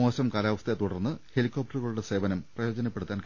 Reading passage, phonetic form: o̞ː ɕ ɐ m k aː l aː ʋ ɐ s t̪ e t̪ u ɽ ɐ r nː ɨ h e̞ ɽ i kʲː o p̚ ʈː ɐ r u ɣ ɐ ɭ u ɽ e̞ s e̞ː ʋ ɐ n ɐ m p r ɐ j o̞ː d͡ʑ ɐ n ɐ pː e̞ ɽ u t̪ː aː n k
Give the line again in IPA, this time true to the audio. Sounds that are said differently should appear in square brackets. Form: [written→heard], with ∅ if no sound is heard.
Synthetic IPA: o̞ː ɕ ɐ m k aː l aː ʋ ɐ s t̪ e t̪ u ɽ ɐ r nː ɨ h e̞ [ɽ→l] i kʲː o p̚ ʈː ɐ r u ɣ ɐ ɭ u ɽ e̞ s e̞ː ʋ ɐ n ɐ m p r ɐ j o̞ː d͡ʑ ɐ n ɐ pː e̞ ɽ u t̪ː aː n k